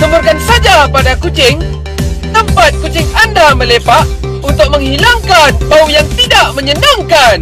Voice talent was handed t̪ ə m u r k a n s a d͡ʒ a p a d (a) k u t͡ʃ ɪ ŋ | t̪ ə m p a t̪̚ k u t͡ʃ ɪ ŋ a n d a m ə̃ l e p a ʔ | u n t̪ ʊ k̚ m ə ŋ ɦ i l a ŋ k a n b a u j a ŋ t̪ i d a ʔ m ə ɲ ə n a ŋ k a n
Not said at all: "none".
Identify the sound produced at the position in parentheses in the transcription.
a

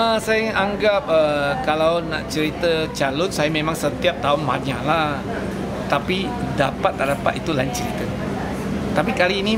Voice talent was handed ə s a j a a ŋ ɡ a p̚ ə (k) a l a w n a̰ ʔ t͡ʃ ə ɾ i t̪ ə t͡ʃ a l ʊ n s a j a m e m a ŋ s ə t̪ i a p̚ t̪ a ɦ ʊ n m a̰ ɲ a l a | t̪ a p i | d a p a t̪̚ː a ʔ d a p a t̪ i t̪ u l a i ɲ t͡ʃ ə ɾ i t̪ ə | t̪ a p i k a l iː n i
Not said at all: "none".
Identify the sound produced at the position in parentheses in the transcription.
k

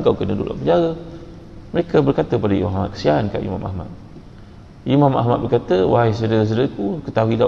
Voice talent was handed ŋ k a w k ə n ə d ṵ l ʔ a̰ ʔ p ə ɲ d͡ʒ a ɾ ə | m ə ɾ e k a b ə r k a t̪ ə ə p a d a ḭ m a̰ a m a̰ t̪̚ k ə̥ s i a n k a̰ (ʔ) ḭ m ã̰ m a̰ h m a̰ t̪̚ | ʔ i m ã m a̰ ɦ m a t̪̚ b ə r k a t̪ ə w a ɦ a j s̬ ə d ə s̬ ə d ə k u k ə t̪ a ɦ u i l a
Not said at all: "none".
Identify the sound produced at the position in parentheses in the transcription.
ʔ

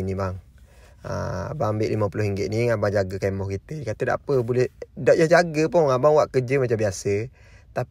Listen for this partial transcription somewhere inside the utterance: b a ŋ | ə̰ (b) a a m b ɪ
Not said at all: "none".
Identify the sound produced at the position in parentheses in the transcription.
b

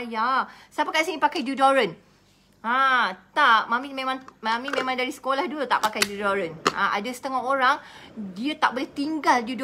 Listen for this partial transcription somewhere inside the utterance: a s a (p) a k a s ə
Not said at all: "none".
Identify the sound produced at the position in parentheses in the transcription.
p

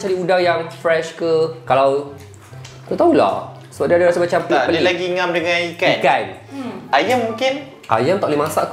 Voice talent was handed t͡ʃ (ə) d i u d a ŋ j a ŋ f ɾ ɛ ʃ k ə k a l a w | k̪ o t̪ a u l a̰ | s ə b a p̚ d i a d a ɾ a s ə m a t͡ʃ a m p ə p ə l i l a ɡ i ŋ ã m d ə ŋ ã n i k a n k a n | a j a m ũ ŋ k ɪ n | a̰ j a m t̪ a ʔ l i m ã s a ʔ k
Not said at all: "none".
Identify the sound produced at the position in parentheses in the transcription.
a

